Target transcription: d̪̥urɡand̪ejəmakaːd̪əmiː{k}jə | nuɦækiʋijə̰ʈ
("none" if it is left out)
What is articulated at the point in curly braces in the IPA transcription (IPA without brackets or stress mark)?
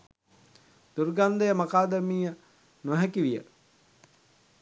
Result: none